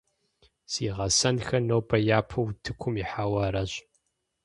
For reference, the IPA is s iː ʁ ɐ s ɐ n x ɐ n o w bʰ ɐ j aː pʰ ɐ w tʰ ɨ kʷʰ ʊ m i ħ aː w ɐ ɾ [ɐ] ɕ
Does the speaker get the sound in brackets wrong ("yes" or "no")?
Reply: no